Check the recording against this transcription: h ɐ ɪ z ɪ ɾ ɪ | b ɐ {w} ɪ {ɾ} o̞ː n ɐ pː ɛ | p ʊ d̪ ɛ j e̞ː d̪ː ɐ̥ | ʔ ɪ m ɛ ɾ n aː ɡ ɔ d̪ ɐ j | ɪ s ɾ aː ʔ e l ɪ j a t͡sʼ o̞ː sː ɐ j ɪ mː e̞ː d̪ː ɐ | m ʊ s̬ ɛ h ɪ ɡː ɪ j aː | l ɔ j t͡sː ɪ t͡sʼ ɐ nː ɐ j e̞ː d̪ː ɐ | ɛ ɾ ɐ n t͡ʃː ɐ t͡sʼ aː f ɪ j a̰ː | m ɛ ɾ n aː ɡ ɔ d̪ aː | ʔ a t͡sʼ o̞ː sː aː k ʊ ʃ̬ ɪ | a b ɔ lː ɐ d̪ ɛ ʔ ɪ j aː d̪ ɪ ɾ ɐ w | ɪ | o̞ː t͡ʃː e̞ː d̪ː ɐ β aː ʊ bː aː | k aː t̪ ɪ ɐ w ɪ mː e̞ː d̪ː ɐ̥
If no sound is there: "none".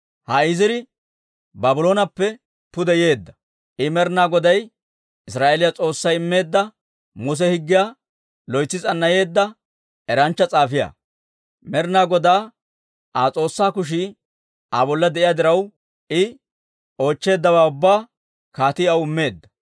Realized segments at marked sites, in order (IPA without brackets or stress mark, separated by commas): b, l